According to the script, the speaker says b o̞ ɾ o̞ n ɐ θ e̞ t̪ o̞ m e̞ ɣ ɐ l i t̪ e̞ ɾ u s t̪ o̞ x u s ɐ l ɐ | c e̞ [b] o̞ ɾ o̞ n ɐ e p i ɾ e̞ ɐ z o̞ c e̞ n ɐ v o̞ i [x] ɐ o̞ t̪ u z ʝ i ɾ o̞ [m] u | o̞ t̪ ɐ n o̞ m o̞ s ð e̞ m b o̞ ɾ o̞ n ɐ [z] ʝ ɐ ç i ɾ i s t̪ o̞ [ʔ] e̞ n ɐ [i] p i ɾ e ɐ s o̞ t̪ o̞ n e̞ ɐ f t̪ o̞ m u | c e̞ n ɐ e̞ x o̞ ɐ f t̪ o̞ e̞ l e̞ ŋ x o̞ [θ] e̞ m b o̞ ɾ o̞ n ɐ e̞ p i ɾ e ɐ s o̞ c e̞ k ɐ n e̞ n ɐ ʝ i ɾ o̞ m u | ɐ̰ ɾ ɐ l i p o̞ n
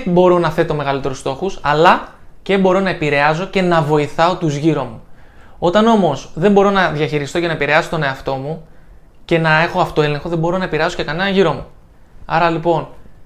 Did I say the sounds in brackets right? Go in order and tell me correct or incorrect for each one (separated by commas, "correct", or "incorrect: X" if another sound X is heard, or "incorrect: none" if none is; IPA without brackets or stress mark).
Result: correct, incorrect: θ, correct, incorrect: ð, incorrect: c, incorrect: e, incorrect: ð